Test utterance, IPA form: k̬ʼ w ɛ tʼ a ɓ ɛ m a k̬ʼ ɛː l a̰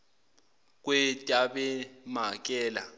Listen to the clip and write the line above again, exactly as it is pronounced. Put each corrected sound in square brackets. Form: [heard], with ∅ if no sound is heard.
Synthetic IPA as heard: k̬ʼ w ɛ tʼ a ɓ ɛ m a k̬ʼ ɛː l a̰